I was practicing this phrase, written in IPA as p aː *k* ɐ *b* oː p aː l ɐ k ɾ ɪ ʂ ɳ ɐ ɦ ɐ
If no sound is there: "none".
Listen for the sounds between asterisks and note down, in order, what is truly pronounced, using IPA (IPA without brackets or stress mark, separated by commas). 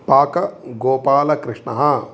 k, ɡ